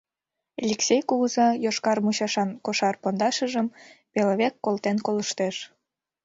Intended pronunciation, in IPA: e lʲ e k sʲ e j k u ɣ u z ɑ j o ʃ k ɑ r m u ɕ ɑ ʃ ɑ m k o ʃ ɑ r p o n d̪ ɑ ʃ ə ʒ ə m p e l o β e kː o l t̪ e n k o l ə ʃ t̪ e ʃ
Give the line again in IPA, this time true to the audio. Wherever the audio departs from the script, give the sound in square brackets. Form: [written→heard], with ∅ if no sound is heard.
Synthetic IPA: e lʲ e k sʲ e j k u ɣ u z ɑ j o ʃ k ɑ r m u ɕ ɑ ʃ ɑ [m→n] k o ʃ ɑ r p o n d̪ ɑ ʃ ə ʒ ə m p e l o β e kː o l t̪ e n k o l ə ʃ t̪ e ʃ